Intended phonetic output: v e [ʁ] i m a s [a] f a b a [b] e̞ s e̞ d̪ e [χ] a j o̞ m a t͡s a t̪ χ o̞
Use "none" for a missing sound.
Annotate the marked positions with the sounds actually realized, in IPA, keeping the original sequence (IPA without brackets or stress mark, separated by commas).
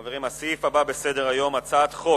ʁ, i, b, ʁ